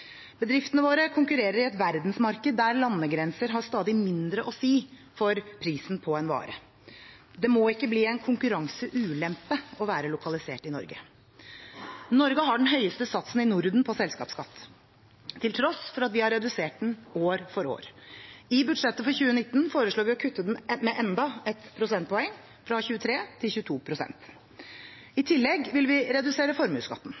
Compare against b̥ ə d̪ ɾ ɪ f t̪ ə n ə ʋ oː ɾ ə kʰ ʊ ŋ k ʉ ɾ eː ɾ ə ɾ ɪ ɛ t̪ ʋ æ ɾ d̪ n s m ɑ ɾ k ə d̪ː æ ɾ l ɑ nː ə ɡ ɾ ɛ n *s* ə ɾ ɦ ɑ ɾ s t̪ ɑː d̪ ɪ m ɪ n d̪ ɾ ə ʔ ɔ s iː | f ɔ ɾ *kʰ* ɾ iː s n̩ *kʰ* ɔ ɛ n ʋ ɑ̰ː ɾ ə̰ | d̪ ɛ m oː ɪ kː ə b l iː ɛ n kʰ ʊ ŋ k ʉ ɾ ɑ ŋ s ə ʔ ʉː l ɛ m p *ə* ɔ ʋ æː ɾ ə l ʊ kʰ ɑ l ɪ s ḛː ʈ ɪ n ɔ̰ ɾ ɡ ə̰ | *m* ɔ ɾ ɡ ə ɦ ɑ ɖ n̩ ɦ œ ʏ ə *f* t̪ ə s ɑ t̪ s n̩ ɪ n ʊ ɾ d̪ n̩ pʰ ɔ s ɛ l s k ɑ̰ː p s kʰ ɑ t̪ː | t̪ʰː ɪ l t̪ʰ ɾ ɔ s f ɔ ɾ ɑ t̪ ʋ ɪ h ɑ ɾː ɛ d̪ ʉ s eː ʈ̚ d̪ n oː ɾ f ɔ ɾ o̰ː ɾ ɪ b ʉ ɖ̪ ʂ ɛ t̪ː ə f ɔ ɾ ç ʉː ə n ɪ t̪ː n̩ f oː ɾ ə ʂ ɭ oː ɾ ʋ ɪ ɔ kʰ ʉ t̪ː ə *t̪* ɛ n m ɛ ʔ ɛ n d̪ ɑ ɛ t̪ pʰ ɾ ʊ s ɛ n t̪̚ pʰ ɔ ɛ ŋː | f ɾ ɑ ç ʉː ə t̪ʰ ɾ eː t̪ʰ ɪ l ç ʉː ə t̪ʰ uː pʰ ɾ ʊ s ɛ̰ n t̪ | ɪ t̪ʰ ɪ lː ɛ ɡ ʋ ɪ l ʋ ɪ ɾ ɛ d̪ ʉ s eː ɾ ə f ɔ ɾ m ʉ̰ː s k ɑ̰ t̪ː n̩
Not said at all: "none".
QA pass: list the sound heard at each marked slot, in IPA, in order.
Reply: s, pʰ, pʰ, ə, n, s, d̪

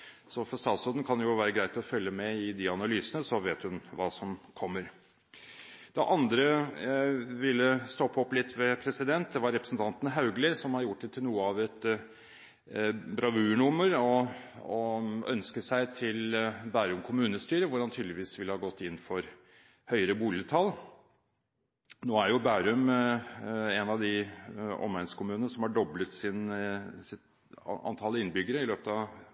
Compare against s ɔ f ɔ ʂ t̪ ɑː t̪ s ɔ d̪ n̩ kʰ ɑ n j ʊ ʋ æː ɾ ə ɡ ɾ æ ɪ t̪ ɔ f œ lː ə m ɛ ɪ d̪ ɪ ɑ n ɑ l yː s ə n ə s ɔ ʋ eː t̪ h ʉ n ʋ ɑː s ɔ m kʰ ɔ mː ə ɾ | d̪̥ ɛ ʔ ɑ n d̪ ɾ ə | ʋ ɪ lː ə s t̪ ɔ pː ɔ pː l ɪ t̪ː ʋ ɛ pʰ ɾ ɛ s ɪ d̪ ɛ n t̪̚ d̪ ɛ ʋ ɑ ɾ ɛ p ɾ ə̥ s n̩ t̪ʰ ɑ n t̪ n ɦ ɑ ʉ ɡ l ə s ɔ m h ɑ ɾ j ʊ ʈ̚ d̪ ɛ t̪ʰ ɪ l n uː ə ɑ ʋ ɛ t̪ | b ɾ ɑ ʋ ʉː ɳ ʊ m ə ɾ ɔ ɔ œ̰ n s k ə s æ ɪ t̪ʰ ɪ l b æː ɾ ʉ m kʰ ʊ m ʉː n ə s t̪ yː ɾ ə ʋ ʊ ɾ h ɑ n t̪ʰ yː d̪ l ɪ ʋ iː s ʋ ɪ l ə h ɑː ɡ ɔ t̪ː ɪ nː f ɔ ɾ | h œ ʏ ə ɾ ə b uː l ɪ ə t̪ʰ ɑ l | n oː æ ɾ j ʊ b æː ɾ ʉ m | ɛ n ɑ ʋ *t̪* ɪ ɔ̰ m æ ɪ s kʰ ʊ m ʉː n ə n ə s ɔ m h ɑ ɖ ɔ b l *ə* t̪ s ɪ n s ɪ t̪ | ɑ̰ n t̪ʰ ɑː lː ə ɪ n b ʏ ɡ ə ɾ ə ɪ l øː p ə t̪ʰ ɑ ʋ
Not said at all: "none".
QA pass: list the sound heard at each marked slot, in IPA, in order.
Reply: d̪, ə

